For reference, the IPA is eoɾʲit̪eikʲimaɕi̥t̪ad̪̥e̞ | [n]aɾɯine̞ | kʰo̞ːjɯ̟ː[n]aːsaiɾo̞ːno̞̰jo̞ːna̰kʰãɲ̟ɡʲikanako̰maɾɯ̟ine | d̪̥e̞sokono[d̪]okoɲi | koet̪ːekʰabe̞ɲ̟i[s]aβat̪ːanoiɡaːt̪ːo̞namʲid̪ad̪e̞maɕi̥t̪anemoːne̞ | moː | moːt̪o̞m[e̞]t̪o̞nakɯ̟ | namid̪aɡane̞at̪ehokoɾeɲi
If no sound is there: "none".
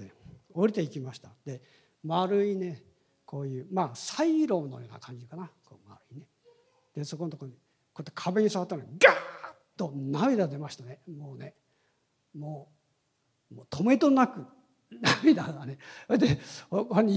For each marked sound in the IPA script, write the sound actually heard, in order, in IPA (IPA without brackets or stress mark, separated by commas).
m, m, t̪, s, e̞